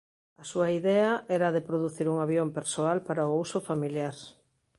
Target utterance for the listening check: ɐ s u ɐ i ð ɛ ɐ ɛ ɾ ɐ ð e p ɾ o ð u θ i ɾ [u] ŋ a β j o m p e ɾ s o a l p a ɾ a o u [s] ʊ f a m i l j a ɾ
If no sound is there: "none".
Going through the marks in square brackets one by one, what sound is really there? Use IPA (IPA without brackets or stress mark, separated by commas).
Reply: u, s